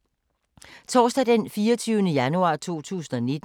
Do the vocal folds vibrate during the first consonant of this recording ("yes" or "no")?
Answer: no